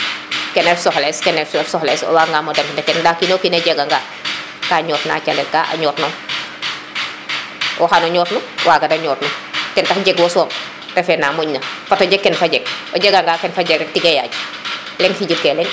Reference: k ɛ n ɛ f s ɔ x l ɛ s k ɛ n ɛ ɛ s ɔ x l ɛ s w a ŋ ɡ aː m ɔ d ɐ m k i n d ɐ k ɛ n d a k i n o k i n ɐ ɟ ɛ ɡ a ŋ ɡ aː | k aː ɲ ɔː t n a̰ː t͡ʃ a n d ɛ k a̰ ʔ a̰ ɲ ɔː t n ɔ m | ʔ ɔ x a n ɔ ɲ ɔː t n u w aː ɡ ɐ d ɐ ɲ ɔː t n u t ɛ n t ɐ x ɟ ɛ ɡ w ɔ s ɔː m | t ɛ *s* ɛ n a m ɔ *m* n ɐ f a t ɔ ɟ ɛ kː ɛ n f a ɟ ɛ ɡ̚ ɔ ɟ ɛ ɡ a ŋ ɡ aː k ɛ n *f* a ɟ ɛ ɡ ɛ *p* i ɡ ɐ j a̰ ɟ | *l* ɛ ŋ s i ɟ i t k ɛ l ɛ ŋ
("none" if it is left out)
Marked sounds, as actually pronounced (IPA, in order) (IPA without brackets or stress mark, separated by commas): f, ɲ, f, t, l